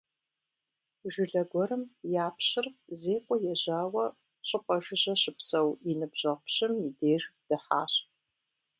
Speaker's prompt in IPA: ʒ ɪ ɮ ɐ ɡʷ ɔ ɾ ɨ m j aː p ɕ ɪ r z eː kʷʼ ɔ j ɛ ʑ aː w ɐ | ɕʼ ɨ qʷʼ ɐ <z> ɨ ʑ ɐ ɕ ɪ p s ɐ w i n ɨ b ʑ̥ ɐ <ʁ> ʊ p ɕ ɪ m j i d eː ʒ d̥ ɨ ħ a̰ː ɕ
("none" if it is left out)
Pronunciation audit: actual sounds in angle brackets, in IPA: ʒ, ʁ

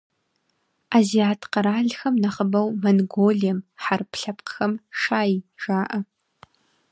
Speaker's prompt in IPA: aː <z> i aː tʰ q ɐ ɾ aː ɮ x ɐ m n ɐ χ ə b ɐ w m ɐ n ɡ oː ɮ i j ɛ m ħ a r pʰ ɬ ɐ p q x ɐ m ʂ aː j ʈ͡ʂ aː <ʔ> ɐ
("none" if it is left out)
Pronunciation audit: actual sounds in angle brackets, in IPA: z, ʔ

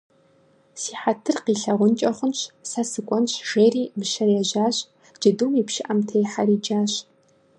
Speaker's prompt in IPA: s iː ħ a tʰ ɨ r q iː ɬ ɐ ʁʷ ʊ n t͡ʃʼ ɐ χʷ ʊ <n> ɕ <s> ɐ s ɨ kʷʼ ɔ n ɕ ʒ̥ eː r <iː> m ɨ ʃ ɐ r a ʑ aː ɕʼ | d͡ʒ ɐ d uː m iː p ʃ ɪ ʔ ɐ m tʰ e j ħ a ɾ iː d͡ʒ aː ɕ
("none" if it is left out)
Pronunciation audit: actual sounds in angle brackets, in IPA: n, s, iː

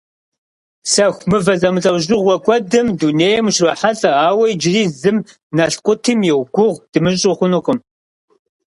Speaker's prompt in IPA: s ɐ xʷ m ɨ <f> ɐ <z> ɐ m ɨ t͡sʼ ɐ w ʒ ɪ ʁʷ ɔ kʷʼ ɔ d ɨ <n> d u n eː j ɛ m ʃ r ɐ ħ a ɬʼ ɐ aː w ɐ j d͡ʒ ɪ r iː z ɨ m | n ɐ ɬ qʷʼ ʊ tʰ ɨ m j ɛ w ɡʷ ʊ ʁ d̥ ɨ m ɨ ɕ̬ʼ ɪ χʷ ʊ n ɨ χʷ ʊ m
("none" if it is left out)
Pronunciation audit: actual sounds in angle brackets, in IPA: v, z, m

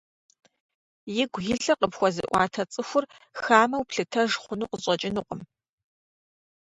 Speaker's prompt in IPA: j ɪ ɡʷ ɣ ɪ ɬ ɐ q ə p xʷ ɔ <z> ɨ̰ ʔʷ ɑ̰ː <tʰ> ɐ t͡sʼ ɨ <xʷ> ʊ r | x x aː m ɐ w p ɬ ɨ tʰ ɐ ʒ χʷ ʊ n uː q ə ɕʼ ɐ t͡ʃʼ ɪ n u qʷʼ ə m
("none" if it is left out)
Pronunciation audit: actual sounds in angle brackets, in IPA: z, tʰ, xʷ

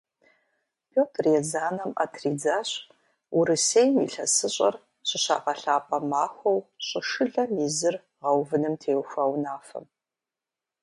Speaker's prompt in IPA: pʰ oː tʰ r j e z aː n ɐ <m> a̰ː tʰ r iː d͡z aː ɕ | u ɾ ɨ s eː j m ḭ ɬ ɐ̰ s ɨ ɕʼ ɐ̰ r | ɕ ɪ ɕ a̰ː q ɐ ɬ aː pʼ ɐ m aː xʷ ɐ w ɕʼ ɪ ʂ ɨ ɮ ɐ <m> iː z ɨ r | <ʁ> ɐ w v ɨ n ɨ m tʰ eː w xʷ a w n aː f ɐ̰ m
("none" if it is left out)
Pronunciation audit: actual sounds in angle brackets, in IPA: m, m, ʁ

